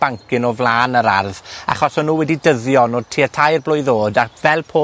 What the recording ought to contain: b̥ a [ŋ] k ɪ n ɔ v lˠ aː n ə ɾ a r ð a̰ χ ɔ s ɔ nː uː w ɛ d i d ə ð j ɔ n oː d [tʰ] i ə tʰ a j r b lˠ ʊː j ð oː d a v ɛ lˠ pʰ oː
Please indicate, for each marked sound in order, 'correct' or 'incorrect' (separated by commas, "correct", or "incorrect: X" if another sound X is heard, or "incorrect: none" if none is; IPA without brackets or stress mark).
correct, correct